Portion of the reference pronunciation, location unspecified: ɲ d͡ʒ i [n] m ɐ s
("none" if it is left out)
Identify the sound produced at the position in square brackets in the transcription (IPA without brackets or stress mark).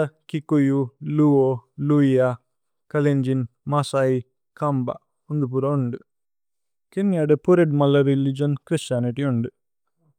n